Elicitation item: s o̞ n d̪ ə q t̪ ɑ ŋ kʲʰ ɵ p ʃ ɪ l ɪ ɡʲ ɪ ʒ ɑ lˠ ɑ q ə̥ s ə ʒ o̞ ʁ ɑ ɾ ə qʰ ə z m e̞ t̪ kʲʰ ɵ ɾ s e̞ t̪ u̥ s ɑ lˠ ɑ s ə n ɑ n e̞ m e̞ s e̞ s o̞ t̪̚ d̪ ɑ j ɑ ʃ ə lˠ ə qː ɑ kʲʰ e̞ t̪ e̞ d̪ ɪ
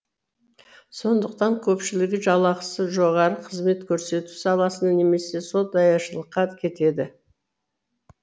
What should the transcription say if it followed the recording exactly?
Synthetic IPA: s o̞ n d̪ ə q t̪ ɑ ŋ kʲʰ ɵ p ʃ ɪ l ɪ ɡʲ ɪ ʒ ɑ lˠ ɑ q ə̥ s ə ʒ o̞ ʁ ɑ ɾ ə qʰ ə z m e̞ t̪ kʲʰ ɵ ɾ s e̞ t̪ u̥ s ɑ lˠ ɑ s ə n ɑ n e̞ m e̞ s e̞ s o̞ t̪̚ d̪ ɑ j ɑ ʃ ə lˠ ə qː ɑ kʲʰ e̞ t̪ e̞ d̪ ɪ